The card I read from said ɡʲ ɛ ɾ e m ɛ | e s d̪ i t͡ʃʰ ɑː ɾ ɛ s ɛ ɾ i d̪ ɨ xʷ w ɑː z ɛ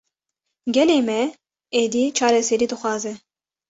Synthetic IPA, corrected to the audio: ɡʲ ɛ l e m ɛ | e d̪ i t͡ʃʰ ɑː ɾ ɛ s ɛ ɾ i d̪ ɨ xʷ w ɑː z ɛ